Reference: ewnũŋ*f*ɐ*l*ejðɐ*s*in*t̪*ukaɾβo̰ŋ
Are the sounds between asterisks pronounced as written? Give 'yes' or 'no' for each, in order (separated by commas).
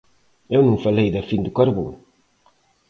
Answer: yes, yes, no, no